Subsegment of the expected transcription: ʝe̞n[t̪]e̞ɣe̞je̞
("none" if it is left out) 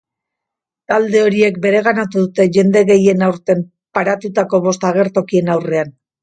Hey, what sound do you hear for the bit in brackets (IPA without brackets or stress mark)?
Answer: d̪